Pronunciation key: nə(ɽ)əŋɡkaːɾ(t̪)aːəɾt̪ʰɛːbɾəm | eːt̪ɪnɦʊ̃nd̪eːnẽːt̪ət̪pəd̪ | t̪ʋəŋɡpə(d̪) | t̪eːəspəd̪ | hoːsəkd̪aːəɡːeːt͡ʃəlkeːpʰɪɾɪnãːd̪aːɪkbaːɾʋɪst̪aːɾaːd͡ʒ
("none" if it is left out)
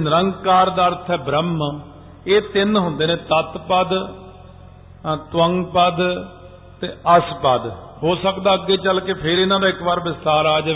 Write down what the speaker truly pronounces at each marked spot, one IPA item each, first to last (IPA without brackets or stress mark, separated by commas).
ɾ, d̪, d̪